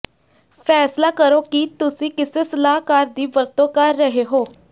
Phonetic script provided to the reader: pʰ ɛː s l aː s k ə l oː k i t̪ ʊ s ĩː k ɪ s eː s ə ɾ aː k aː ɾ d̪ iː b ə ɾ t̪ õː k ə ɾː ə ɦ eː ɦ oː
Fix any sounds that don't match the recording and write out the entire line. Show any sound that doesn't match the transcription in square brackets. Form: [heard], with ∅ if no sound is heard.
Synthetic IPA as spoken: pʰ ɛː s l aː [∅] k ə [ɾ] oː k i t̪ ʊ s ĩː k ɪ s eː s ə [l] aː k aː ɾ d̪ iː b ə ɾ t̪ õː k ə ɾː ə ɦ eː ɦ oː